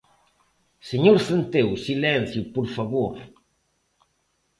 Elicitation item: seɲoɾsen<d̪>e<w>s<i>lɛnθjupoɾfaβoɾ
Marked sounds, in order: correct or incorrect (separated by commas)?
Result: incorrect, correct, correct